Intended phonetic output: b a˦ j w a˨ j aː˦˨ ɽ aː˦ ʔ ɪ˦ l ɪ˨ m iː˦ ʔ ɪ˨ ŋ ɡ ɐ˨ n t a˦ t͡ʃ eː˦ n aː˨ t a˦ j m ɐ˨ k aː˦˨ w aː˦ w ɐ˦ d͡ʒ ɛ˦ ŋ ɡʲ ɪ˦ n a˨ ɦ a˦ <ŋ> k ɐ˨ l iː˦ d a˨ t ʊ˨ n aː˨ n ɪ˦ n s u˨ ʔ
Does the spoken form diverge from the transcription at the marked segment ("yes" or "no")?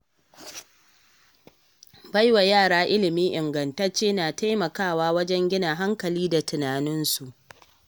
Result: no